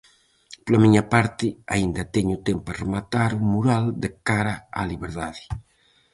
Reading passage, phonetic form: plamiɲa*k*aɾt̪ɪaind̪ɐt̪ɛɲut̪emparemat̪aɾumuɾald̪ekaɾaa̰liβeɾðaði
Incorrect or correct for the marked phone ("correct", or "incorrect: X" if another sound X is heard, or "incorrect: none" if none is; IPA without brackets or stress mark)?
incorrect: p